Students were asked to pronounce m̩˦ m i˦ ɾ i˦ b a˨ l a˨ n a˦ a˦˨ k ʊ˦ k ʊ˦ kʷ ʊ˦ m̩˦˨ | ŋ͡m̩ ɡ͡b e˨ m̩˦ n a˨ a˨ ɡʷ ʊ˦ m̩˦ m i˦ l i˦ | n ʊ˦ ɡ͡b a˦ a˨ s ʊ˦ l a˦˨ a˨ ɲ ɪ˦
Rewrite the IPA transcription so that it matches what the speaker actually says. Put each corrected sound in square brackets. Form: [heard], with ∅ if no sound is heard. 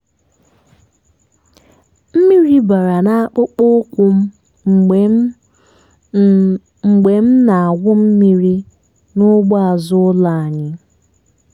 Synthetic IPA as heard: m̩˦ m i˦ ɾ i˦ b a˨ [ɾ] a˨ n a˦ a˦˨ [k͡p] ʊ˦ [k͡p] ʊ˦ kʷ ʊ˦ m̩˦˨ | ŋ͡m̩ ɡ͡b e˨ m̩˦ n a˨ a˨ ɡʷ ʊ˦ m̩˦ m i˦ [ɾ] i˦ | n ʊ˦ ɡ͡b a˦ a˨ [z] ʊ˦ l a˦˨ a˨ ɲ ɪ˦